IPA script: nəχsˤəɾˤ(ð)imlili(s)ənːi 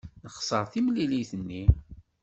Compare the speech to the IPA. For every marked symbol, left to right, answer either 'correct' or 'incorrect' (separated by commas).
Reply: incorrect, incorrect